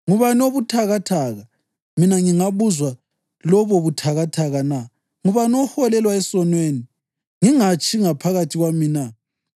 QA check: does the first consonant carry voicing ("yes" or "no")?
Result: yes